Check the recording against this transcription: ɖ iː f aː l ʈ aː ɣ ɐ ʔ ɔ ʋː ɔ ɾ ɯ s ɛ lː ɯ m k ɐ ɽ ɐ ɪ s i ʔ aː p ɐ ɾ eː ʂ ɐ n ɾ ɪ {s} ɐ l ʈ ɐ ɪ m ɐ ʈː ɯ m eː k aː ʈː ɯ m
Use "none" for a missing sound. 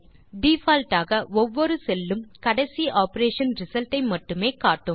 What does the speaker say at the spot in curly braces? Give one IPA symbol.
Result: s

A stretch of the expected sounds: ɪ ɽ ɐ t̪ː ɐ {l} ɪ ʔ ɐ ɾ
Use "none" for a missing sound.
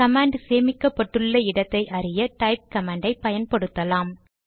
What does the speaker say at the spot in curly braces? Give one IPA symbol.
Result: none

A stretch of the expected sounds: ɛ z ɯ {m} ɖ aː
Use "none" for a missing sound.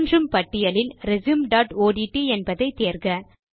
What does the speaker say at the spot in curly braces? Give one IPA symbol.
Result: m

